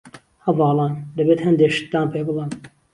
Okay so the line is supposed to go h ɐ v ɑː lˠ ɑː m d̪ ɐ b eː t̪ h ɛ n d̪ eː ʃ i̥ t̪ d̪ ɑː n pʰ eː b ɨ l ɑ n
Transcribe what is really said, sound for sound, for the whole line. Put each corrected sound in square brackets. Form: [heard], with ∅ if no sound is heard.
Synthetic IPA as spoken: h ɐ v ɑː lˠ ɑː [n] d̪ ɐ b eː t̪ h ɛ n d̪ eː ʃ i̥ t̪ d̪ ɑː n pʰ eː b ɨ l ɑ n

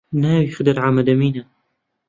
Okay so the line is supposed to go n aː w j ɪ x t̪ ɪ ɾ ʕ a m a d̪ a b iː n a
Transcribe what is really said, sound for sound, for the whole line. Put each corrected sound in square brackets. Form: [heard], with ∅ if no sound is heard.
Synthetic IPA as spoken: n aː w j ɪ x [d̪] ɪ ɾ ʕ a m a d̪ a [m] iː n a

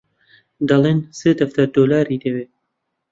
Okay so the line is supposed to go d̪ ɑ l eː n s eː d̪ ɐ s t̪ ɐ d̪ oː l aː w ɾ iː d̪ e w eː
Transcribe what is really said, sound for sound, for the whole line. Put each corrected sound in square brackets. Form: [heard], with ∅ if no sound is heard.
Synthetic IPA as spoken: d̪ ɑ l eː n s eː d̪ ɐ [f] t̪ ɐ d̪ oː l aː [∅] ɾ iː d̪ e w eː

